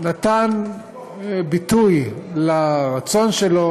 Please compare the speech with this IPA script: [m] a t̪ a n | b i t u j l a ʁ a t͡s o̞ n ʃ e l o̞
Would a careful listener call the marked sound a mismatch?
yes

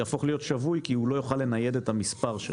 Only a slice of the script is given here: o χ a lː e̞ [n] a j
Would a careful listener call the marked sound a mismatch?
no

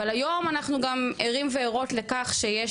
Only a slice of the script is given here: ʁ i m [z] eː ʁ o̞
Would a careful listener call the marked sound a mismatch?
yes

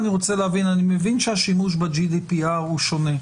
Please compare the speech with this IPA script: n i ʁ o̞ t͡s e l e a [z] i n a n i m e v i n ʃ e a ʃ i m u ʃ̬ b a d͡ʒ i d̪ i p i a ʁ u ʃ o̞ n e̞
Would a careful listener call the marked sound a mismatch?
yes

